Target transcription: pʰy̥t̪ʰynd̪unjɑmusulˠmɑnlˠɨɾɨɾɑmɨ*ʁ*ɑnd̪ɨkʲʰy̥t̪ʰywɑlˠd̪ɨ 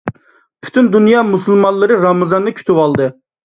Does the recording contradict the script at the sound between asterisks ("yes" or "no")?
yes